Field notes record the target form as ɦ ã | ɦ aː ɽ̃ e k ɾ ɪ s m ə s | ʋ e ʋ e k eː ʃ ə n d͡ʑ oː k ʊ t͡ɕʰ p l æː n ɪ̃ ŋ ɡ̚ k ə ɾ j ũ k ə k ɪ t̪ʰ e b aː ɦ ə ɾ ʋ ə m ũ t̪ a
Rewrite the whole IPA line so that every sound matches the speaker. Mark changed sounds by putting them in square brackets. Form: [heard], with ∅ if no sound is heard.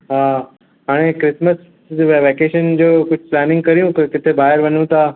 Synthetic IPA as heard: ɦ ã | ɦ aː ɽ̃ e k ɾ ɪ s m ə s | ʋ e ʋ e k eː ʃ ə n d͡ʑ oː k ʊ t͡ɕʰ p l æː n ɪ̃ ŋ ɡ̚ k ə ɾ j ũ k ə k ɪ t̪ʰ e b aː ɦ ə ɾ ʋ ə [n] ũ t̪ a